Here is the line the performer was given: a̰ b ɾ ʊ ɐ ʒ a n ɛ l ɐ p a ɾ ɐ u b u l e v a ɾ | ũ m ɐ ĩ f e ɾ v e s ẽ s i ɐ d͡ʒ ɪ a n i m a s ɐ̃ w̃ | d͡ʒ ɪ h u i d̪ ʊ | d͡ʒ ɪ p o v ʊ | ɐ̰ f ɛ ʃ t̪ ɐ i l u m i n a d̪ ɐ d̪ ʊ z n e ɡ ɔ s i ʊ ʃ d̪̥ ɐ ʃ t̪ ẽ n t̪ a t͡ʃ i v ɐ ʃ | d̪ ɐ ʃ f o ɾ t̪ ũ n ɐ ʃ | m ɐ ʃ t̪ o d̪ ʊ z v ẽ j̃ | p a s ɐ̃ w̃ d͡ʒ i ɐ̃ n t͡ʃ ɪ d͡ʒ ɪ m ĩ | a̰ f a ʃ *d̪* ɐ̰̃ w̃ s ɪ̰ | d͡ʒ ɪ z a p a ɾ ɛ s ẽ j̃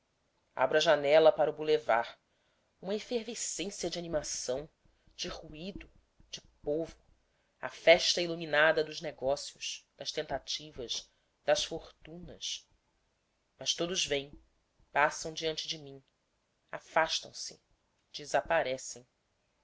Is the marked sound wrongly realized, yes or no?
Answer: yes